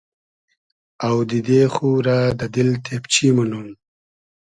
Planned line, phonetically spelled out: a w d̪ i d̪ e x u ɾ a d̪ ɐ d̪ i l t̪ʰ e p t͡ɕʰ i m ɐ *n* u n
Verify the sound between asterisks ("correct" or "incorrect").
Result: correct